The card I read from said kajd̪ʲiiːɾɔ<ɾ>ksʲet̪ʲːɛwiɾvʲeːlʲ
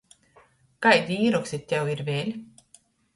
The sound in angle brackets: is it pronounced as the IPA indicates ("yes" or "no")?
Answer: no